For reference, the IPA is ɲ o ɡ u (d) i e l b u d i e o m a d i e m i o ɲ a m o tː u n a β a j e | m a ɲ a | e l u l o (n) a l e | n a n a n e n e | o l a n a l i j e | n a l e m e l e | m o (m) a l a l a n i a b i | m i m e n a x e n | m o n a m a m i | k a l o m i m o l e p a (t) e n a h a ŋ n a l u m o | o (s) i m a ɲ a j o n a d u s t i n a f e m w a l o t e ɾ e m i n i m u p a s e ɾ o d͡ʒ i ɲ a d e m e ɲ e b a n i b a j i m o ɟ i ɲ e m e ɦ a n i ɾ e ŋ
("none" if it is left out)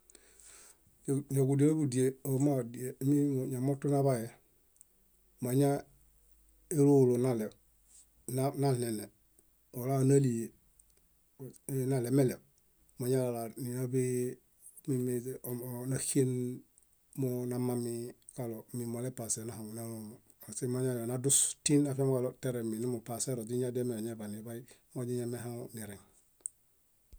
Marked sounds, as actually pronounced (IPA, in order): d, n, ɲ, s, s

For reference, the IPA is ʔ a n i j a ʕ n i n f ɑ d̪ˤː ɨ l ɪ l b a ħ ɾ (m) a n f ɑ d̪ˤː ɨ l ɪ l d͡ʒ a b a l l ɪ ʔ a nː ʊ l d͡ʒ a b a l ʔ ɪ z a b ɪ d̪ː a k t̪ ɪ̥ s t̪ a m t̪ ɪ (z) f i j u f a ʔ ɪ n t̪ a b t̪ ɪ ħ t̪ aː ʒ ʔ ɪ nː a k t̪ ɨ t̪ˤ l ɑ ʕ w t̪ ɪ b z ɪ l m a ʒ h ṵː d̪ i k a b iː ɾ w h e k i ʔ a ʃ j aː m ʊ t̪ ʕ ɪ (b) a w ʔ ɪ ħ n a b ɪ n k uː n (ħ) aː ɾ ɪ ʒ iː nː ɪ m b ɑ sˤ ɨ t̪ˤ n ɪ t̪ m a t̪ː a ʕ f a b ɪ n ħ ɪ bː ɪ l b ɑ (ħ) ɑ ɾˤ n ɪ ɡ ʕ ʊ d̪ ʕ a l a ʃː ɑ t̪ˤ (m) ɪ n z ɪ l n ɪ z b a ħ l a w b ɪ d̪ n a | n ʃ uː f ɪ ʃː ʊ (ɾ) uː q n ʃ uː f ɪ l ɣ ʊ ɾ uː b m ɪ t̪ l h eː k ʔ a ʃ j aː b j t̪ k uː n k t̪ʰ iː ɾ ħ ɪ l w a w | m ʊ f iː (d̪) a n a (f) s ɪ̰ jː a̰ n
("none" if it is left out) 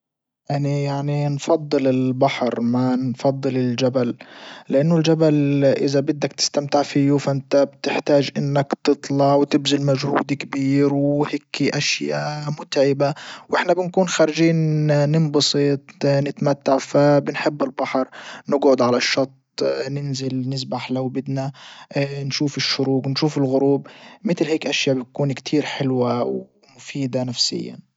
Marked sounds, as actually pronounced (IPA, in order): m, ʕ, b, x, ħ, n, ɾ, d̪, f

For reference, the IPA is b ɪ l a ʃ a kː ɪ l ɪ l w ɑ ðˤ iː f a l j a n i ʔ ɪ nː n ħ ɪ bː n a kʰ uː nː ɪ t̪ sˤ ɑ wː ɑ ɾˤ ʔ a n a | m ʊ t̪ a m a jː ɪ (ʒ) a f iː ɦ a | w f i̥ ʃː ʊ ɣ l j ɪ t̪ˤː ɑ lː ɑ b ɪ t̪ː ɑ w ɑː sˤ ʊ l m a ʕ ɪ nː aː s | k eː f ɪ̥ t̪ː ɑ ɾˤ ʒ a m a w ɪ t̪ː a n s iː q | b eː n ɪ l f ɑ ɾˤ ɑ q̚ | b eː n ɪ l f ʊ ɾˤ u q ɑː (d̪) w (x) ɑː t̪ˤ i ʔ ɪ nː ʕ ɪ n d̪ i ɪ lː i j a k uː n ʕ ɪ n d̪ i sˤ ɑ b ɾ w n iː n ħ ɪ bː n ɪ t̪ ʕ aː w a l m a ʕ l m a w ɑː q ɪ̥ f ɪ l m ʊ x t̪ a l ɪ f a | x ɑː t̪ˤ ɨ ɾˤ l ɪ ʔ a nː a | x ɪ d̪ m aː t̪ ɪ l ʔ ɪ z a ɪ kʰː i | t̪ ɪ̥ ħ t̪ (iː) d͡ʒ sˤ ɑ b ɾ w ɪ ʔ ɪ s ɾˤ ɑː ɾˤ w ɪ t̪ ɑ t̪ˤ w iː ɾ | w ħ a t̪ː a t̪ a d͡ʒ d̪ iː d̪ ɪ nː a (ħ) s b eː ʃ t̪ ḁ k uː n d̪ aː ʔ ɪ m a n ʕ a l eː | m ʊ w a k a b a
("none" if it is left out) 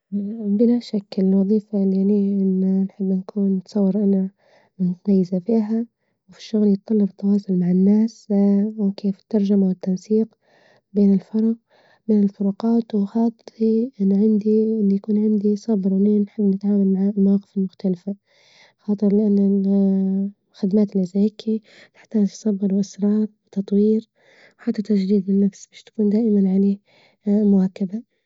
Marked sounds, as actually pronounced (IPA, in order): z, t̪, x, aː, f

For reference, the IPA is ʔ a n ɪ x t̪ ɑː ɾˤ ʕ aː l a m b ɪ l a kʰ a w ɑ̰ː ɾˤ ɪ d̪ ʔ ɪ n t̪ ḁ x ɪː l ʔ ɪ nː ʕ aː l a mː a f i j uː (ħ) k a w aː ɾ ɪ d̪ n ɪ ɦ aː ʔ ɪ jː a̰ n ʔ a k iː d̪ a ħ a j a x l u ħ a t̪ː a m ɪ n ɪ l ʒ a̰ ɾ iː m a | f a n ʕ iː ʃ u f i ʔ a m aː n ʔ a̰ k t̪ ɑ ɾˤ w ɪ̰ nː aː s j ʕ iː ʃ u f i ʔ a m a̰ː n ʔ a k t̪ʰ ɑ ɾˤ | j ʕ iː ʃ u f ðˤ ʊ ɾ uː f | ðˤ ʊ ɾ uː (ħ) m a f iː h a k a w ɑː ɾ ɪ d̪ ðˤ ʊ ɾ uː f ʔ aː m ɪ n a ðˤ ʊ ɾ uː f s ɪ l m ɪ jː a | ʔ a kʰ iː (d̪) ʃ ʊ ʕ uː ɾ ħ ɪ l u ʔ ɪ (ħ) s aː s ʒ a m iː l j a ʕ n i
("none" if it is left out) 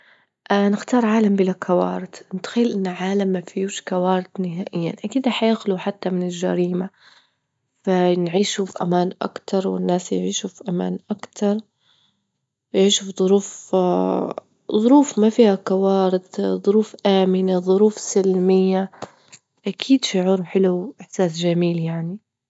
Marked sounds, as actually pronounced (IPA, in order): ʃ, f, d̪, ħ

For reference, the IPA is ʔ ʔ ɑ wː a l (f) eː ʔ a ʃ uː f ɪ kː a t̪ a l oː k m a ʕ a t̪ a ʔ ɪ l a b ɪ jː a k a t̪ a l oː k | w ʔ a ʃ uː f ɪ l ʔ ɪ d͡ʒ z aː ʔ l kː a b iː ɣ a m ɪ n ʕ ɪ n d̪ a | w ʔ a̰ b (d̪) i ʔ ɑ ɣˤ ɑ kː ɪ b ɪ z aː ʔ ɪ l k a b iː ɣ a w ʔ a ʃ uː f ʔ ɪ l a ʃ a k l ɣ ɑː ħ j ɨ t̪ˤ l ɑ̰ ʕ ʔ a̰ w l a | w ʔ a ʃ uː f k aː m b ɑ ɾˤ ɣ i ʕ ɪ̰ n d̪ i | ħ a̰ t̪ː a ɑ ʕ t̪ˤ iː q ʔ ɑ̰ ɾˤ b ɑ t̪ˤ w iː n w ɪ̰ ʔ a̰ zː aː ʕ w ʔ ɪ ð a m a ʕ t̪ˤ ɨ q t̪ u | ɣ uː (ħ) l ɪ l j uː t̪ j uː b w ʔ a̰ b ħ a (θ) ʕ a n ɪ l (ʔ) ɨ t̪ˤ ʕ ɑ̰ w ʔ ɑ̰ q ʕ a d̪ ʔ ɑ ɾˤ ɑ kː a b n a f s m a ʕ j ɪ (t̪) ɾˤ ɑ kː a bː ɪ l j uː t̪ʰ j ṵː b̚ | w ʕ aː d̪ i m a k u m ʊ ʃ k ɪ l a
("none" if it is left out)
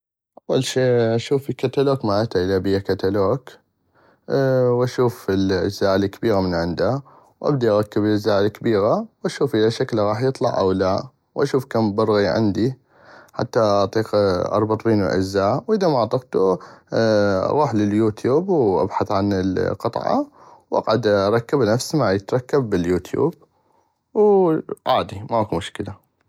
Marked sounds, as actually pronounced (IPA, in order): ʃ, d̪, ħ, θ, q, t̪

